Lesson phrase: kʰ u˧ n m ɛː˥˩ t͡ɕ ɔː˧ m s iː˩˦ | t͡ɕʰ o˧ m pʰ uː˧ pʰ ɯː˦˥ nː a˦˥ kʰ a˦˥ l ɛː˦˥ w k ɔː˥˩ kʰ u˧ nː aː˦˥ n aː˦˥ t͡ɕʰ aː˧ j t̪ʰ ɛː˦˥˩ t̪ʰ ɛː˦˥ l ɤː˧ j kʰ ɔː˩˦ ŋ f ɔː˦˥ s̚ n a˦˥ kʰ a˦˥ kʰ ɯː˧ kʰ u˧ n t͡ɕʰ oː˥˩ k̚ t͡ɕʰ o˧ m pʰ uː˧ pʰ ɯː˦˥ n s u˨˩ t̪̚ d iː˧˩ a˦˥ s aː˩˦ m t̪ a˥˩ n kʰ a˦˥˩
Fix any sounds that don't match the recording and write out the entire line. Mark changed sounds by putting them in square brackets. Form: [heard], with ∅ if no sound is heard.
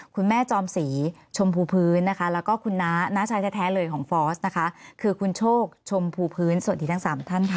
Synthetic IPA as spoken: kʰ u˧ n m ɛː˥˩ t͡ɕ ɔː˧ m s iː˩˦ | t͡ɕʰ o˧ m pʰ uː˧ pʰ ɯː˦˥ nː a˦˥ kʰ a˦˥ l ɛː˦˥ w k ɔː˥˩ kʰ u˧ nː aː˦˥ n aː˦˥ t͡ɕʰ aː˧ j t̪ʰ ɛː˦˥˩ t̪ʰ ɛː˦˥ l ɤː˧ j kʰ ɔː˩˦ ŋ f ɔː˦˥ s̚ n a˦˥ kʰ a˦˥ kʰ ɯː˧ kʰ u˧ n t͡ɕʰ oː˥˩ k̚ t͡ɕʰ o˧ m pʰ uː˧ pʰ ɯː˦˥ n s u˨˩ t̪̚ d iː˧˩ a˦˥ s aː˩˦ m [t̪ʰ] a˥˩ n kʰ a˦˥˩